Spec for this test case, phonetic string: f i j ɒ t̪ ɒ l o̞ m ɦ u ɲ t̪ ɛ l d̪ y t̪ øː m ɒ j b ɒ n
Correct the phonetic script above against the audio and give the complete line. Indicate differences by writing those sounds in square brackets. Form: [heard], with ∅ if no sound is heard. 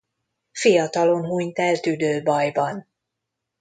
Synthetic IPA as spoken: f i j ɒ t̪ ɒ l o̞ [n] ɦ u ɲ t̪ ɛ l [t̪] y [d̪] øː [b] ɒ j b ɒ n